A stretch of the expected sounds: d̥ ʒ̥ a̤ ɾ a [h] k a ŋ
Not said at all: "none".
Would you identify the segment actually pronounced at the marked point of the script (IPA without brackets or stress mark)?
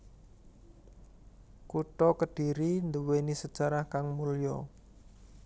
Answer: h